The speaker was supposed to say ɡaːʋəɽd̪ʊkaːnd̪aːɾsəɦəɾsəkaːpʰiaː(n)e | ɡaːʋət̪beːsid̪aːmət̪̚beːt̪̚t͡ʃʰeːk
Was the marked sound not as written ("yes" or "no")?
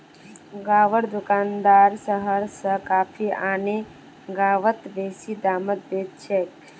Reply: no